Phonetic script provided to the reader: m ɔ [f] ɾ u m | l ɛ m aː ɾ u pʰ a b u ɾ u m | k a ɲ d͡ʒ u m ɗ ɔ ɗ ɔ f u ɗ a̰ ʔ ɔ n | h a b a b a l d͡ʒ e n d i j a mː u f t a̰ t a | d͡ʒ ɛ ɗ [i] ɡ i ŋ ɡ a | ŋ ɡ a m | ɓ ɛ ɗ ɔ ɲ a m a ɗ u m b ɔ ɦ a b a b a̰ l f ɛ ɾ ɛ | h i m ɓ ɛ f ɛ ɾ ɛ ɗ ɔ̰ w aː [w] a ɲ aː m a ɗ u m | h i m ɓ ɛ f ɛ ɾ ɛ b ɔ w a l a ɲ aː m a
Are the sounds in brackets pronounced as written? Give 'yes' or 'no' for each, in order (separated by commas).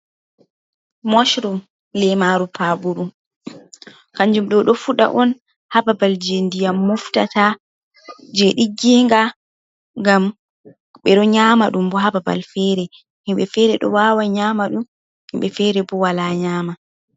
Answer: no, yes, yes